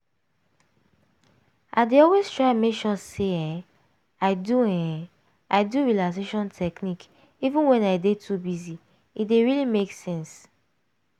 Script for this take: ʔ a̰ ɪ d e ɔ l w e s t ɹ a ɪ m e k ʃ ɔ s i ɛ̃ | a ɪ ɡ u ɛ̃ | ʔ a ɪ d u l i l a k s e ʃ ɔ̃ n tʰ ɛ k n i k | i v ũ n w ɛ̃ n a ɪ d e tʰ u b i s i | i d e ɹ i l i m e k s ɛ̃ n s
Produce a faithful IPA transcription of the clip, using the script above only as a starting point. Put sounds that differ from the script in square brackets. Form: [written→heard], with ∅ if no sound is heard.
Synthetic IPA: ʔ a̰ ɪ d e ɔ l w e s t ɹ a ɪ m e k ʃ ɔ s [i→e] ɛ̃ | a ɪ [ɡ→d] u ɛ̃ | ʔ a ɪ d u [l→ɹ] i l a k s e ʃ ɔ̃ n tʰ ɛ k n i k | i v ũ n w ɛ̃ n a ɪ d e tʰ u b i [s→z] i | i d e ɹ i l i m e k s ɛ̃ n s

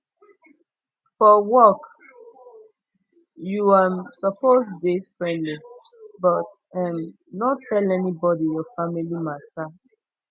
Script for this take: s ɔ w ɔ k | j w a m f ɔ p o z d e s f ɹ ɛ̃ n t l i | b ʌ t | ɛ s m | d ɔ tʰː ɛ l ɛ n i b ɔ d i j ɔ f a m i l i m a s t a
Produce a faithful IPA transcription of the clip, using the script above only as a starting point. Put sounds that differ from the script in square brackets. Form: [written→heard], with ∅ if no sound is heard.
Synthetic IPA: [s→f] ɔ w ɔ k | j [w→u] a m [f→s] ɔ p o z d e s f ɹ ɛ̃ n [t→d] l i | b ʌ t | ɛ [s→∅] m | [d→n] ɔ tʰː ɛ l ɛ n i b ɔ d i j ɔ f a m i l i m a s t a

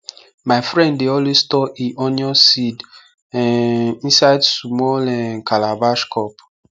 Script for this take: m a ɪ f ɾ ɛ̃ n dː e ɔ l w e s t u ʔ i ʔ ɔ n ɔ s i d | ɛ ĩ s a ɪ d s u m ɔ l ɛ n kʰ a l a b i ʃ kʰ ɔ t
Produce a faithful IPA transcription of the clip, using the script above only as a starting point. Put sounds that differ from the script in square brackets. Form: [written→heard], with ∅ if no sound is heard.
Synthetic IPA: m a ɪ f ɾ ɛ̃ n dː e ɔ l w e s t [u→ɔ] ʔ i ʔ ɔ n ɔ s i d | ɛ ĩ s a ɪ d s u m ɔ l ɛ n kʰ a l a b [i→a] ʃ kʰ ɔ [t→p]

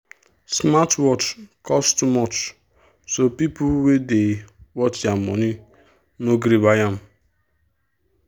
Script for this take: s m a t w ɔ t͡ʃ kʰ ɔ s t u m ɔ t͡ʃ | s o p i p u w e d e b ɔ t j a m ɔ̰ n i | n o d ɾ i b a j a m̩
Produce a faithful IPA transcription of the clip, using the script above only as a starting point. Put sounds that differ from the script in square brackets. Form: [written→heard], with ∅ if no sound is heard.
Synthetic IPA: s m a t w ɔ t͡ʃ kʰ ɔ s t u m ɔ t͡ʃ | s o p i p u w e d e [b→w] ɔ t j a m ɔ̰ n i | n o [d→ɡ] ɾ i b a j a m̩

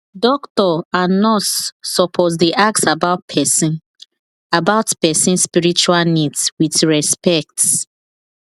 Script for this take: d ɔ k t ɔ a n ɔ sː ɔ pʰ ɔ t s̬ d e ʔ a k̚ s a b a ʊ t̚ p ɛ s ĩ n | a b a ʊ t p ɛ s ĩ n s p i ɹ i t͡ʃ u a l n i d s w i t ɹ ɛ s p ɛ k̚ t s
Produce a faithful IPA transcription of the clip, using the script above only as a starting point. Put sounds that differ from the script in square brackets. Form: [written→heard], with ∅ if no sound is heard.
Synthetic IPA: d ɔ k t ɔ a n ɔ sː ɔ pʰ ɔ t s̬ d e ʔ a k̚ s a b a ʊ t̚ [p→pʰ] ɛ s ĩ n | a b a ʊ t p ɛ s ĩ n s p i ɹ i t͡ʃ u a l n i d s w i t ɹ ɛ s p ɛ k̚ t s

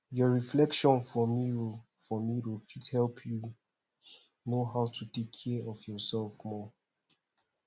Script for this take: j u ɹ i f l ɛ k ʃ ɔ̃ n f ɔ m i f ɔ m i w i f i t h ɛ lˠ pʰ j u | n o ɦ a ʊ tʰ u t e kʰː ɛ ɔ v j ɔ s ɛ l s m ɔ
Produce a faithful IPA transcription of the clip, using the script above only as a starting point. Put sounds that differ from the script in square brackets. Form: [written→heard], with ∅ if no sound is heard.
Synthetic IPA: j [u→ɔ] ɹ i f l ɛ k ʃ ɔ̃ n f ɔ m i f ɔ m i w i f i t h ɛ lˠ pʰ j u | n o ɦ a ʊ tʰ u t e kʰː ɛ ɔ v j ɔ s ɛ l [s→f] m ɔ

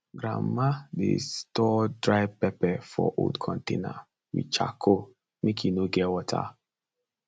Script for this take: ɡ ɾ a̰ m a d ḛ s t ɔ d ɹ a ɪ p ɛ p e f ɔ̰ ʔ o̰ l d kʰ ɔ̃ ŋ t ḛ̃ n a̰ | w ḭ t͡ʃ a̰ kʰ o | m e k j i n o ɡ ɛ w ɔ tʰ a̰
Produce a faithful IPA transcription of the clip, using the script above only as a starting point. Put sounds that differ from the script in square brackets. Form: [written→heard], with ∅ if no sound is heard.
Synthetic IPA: ɡ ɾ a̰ m a d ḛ s t ɔ d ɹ a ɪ p ɛ p [e→ɛ] f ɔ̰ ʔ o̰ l d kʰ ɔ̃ [ŋ→n] t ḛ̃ n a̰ | w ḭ t͡ʃ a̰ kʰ o | m e k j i n o ɡ ɛ w ɔ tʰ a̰

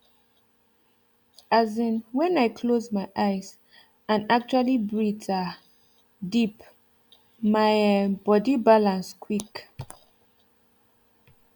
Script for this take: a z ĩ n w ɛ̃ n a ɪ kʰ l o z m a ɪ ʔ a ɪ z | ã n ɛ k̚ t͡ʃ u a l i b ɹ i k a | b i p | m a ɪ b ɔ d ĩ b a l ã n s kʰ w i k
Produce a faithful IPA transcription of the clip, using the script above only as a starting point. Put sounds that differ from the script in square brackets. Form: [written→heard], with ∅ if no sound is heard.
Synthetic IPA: a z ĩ n w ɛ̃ n a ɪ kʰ l o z m a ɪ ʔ a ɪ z | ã n [ɛ→a] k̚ t͡ʃ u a l i b ɹ i [k→t] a | [b→d] i p | m a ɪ b ɔ d [ĩ→i] b a l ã n s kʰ w i k

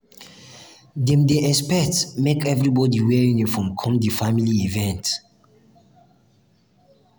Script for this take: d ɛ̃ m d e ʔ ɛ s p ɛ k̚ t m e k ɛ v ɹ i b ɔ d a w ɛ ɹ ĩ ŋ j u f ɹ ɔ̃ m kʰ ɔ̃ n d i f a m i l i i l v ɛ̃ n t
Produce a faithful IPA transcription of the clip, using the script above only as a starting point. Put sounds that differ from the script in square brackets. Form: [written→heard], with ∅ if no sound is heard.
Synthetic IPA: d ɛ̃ m d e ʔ ɛ s p ɛ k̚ t m e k ɛ v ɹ i b ɔ d [a→i] w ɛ ɹ ĩ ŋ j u f ɹ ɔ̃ m kʰ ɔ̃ [n→m] d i f a m i l i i [l→∅] v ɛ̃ n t

